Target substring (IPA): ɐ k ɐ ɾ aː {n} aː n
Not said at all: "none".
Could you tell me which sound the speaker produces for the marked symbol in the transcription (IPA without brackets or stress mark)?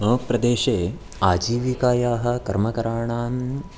ɳ